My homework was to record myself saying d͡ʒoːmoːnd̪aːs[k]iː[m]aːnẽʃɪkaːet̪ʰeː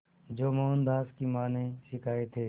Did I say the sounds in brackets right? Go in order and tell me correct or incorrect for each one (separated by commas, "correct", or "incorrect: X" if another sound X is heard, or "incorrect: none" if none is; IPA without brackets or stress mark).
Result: correct, correct